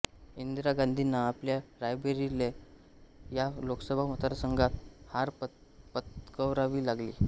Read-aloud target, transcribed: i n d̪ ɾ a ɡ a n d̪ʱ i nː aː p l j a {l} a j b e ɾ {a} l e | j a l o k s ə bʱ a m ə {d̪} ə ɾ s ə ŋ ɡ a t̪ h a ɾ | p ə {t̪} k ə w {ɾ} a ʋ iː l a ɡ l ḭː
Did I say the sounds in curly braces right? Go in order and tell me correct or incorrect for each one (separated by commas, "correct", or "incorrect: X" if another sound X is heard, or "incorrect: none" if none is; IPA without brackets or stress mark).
incorrect: ɾ, incorrect: i, incorrect: t̪, correct, correct